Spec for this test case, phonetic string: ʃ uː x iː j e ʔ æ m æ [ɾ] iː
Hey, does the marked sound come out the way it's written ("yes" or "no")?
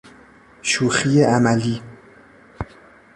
no